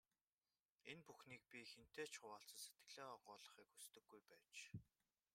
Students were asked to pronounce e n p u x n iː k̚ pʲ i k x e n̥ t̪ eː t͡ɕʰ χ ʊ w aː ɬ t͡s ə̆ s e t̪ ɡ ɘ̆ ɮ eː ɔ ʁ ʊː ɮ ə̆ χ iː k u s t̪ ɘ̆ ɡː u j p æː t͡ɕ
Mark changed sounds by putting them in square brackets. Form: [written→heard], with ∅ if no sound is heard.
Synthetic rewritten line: e n p u x n iː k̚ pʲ i [k→∅] x e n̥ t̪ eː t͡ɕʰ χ ʊ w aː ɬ t͡s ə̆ s e t̪ ɡ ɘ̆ ɮ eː ɔ ʁ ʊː ɮ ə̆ χ iː k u s t̪ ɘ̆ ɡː u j p æː t͡ɕ